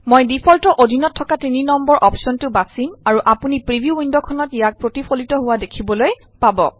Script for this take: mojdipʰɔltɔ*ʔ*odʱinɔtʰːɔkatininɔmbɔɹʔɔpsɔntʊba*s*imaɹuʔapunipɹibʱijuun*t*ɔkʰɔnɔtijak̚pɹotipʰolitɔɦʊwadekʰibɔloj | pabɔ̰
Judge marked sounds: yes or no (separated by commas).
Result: yes, yes, no